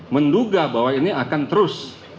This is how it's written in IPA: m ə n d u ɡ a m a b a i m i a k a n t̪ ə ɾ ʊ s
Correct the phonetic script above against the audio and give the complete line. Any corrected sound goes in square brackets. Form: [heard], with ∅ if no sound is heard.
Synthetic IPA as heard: m ə n d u ɡ a [b] a [w] a i [n] i a k a n t̪ ə ɾ ʊ s